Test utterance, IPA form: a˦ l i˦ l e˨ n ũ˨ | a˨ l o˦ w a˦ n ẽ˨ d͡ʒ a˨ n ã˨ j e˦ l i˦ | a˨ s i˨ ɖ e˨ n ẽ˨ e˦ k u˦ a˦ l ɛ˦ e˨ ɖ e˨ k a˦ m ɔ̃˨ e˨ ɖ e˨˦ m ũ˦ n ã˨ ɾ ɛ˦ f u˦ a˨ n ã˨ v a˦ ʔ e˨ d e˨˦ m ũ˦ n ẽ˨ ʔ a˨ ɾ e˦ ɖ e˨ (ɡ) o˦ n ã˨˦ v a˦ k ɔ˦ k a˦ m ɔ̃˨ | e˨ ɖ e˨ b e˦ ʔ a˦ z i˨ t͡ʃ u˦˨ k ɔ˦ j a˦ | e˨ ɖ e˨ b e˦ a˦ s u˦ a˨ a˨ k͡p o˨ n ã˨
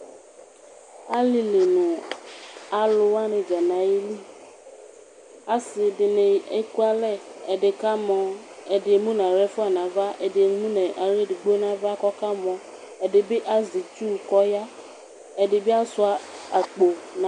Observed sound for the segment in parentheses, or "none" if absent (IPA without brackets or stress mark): ɡ͡b